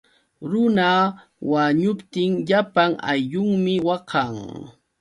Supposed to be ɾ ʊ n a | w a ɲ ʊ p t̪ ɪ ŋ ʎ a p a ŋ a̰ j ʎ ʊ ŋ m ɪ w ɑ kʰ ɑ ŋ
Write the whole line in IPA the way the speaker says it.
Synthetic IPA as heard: ɾ ʊ n a | w a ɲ ʊ p t̪ ɪ ŋ ʎ a p a ŋ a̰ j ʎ ʊ ŋ m ɪ w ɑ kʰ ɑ ŋ